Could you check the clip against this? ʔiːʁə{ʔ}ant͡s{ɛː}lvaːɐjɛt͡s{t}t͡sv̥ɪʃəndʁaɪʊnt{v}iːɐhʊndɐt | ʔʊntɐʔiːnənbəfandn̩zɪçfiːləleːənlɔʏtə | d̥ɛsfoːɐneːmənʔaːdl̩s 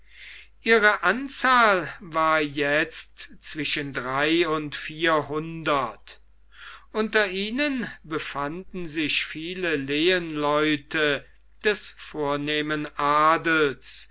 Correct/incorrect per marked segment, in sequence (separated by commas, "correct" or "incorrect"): correct, incorrect, correct, incorrect